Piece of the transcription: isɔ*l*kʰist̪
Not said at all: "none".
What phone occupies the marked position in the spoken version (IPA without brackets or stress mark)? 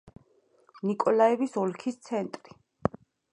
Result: l